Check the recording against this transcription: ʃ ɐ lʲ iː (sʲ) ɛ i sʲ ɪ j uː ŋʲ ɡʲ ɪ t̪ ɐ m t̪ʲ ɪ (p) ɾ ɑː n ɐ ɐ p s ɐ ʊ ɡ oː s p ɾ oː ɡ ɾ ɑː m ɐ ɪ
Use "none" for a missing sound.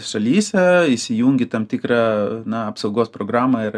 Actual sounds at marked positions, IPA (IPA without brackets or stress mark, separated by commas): sʲ, k